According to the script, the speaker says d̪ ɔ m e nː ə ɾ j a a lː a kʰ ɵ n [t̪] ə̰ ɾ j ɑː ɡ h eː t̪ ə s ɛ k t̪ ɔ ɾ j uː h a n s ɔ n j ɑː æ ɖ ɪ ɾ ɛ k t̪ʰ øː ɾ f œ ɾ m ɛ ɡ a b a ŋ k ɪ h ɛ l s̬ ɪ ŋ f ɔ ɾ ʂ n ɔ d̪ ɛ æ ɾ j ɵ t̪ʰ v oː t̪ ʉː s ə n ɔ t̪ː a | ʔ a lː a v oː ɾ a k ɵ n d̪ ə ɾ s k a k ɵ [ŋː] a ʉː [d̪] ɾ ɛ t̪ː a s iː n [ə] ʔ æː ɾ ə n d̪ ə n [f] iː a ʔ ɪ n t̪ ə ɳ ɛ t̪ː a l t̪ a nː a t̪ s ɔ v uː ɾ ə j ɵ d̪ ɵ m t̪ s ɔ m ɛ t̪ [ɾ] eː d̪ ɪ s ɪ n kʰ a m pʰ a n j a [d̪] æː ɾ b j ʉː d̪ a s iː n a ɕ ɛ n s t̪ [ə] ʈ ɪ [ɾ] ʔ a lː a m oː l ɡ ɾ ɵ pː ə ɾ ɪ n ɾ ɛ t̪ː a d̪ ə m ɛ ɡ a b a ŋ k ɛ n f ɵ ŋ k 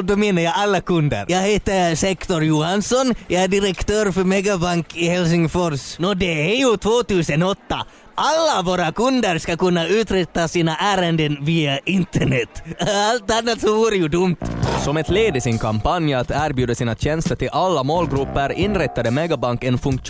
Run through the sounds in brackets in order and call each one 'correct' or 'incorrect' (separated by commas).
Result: incorrect, incorrect, incorrect, incorrect, incorrect, incorrect, incorrect, correct, incorrect